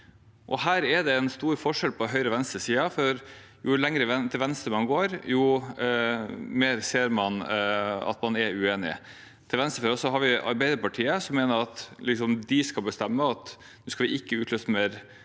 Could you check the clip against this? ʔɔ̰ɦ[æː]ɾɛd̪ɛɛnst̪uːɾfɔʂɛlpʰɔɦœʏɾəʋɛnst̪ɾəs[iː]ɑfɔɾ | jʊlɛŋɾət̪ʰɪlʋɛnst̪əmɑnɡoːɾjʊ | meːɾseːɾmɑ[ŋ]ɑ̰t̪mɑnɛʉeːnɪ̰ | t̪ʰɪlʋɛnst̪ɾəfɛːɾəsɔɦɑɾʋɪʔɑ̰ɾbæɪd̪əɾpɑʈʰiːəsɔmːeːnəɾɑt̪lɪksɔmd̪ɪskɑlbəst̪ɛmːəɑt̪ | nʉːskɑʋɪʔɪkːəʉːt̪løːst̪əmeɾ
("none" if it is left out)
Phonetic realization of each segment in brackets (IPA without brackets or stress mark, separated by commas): æː, iː, n